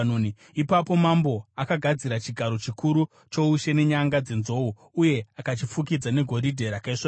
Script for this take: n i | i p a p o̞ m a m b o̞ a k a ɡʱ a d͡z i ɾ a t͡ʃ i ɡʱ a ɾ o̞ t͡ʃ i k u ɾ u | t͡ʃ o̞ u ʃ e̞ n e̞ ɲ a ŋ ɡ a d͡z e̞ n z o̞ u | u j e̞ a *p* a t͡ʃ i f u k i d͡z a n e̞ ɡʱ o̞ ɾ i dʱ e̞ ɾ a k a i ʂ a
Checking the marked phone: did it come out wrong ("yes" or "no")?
yes